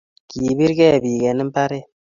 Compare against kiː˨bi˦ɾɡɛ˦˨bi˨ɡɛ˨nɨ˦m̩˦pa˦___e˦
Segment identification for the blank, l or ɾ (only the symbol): ɾ